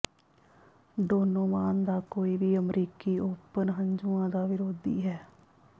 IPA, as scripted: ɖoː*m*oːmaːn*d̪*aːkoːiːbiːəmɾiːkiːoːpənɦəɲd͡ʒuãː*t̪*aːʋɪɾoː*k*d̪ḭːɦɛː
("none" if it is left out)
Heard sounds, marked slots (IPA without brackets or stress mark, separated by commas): n, d̪, d̪, none